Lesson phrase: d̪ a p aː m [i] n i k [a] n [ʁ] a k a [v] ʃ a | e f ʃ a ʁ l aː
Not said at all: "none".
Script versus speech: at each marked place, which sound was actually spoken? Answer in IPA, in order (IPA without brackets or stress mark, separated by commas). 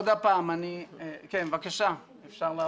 a, e, v, none